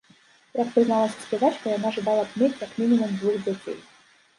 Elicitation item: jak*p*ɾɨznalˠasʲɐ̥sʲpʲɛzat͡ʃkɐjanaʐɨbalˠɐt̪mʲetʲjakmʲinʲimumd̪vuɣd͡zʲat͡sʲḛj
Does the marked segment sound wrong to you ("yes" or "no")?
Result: no